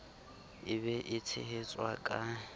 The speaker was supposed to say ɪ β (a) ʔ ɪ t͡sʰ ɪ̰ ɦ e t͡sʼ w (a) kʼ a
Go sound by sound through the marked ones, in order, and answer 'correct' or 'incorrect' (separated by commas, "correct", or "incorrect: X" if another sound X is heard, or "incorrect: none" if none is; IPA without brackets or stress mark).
incorrect: ɛ, correct